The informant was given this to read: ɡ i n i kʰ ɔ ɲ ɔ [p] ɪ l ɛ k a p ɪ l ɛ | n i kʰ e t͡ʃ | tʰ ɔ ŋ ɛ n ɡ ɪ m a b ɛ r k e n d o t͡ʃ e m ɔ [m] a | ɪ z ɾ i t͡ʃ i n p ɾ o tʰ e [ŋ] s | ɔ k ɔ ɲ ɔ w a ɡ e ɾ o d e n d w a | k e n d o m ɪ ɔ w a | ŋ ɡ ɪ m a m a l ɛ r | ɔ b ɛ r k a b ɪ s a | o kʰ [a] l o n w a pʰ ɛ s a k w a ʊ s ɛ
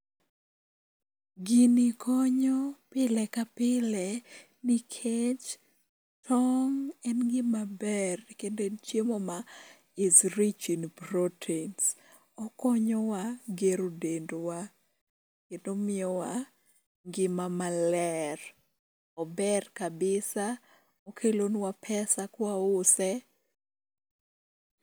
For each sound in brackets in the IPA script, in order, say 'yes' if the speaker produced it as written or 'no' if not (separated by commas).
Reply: yes, yes, no, no